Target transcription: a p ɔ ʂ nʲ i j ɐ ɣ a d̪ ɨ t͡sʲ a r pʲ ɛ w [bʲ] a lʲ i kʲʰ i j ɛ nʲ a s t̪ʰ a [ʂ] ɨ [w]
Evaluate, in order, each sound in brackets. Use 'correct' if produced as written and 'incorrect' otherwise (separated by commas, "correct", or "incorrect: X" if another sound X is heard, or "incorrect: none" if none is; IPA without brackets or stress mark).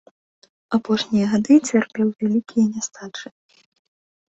incorrect: vʲ, incorrect: t͡ʂ, incorrect: none